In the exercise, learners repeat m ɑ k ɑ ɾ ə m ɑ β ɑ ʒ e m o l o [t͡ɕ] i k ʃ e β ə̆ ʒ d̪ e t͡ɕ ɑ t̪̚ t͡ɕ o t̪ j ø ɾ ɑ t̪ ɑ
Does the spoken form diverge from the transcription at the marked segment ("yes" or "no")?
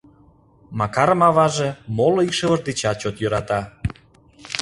yes